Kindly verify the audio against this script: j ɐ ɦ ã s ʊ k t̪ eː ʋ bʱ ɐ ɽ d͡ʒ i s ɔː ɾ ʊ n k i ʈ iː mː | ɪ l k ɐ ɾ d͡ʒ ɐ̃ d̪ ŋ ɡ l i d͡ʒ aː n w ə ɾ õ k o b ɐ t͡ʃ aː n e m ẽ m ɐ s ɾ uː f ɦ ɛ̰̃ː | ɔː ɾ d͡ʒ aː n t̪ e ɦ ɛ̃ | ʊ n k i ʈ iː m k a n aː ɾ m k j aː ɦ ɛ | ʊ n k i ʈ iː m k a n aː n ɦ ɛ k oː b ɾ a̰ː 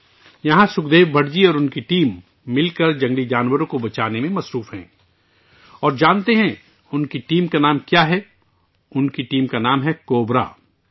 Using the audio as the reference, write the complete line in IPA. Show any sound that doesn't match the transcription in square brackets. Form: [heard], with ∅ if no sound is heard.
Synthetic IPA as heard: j ɐ ɦ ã s ʊ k [d̪] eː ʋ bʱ ɐ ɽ d͡ʒ i [∅] ɔː ɾ ʊ n k i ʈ iː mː | ɪ l k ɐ ɾ d͡ʒ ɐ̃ [∅] ŋ ɡ l i d͡ʒ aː n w ə ɾ õ k o b ɐ t͡ʃ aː n e m ẽ m ɐ s ɾ uː f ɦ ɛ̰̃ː | ɔː ɾ d͡ʒ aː n t̪ e ɦ ɛ̃ | ʊ n k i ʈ iː m k a n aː [∅] m k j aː ɦ ɛ | ʊ n k i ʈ iː m k a n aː [m] ɦ ɛ k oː b ɾ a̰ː

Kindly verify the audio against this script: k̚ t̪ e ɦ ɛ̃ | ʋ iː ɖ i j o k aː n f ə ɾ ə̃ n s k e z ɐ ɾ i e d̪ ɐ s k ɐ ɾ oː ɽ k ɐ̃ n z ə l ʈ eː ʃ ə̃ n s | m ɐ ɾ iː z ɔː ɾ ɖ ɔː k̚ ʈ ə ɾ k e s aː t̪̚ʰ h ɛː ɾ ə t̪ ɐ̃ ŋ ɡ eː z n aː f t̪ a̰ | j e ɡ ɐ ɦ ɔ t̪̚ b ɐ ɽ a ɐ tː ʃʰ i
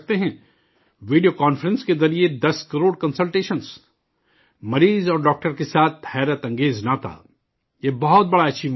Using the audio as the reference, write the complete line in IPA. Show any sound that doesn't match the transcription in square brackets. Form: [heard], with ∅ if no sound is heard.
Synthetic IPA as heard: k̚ t̪ e ɦ ɛ̃ | ʋ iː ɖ i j o k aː n f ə ɾ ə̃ n s k e z ɐ ɾ i e d̪ ɐ s k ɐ ɾ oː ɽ k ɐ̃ n [s] ə l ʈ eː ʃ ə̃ n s | m ɐ ɾ iː z ɔː ɾ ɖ ɔː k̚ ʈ ə ɾ k e s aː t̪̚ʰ h ɛː ɾ ə t̪ ɐ̃ ŋ ɡ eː z n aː [∅] t̪ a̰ | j e [b] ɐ ɦ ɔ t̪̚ b ɐ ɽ a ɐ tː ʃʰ i

